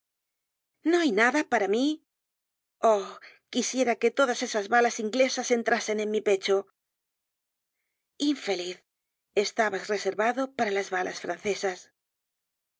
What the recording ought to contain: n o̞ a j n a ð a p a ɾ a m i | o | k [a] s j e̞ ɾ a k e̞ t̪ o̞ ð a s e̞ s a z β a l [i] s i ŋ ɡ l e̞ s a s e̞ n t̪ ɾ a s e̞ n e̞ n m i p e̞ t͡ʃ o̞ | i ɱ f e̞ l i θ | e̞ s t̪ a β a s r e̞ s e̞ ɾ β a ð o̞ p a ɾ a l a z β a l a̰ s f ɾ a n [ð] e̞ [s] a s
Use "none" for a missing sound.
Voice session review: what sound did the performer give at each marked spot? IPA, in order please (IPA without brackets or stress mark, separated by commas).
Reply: i, a, θ, s